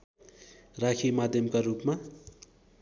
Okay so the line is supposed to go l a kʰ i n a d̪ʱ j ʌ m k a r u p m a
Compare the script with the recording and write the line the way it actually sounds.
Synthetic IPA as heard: r a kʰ i m a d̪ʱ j ʌ m k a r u p m a

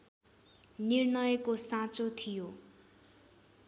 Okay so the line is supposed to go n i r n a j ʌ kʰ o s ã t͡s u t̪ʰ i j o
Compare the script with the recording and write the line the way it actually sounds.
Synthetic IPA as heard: n i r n ʌ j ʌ k o s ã t͡s o t̪ʰ i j o

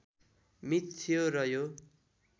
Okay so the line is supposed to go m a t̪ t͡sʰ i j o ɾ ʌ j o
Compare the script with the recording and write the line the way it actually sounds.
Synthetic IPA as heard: m i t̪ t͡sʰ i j o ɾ ʌ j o

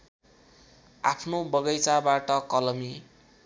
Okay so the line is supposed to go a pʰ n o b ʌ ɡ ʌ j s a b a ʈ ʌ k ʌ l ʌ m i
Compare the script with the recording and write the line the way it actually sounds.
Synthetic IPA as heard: a pʰ n o b ʌ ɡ ʌ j t͡s a b a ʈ ʌ k ʌ l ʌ m i

